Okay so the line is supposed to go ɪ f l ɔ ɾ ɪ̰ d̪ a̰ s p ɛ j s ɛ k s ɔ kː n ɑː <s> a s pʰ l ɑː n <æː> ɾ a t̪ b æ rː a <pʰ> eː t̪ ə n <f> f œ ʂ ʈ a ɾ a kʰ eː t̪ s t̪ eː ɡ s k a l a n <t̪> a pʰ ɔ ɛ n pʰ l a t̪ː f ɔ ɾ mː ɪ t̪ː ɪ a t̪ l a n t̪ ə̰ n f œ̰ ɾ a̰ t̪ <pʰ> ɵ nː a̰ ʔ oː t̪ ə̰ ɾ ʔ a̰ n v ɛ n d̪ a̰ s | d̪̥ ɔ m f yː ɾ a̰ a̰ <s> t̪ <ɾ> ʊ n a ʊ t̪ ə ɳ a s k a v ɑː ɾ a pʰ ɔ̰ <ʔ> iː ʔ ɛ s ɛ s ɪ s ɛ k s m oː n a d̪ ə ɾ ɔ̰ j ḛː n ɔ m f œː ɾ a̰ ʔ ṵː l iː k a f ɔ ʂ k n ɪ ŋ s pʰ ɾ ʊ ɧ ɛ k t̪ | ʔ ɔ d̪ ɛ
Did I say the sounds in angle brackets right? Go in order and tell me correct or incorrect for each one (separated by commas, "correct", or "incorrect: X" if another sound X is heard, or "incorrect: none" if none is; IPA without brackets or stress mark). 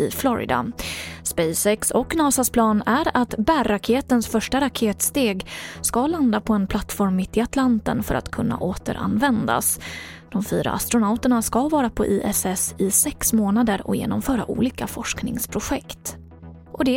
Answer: correct, incorrect: æ, incorrect: kʰ, incorrect: s, incorrect: d̪, incorrect: kʰ, correct, correct, correct